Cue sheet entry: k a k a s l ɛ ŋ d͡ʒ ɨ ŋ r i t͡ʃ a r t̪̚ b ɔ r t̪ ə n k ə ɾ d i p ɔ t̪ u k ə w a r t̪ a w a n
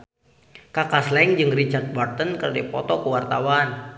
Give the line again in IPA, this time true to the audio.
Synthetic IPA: k a k a s l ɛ ŋ d͡ʒ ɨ ŋ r i t͡ʃ a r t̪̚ b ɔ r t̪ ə n k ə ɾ d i p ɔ t̪ ɔ k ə w a r t̪ a w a n

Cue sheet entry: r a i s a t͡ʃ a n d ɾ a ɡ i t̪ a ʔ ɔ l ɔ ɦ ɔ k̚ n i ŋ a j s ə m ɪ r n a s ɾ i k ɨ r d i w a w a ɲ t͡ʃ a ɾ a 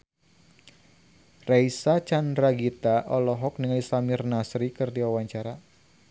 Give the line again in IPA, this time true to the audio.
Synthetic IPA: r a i s a t͡ʃ a n d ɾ a ɡ i t̪ a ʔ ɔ l ɔ ɦ ɔ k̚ n i ŋ a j s a m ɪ r n a s ɾ i k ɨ r d i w a w a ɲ t͡ʃ a ɾ a

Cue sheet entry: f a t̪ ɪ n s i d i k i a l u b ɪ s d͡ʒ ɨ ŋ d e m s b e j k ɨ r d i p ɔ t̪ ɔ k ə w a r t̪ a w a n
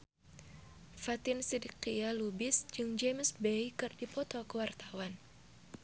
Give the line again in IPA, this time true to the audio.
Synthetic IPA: f a t̪ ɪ n s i d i k i a l u b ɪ s d͡ʒ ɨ ŋ d͡ʒ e m s b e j k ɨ r d i p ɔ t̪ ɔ k ə w a r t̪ a w a n

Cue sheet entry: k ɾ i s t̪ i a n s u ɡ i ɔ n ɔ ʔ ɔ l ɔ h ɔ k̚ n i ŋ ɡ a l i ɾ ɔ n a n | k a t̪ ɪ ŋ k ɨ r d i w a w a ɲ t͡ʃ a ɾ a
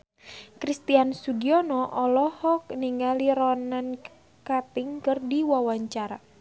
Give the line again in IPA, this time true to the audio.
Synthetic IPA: k ɾ i s t̪ i a n s u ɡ i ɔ n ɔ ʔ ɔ l ɔ h ɔ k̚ n i ŋ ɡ a l i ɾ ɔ n a n | k a t̪ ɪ ŋ k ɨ r d i w a w a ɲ t͡ʃ a ɾ a

